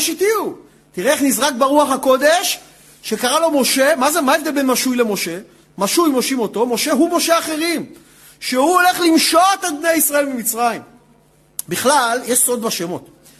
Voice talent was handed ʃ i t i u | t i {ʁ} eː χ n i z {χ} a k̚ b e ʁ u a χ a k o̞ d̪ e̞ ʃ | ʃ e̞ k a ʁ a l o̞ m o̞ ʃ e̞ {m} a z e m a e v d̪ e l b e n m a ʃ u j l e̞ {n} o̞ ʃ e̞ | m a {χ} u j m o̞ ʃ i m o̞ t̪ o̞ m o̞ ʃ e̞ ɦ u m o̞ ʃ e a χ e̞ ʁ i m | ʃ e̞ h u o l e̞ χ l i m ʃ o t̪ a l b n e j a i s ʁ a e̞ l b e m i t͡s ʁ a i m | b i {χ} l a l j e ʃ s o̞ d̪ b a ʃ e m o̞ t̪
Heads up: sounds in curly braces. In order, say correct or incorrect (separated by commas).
correct, incorrect, correct, incorrect, incorrect, correct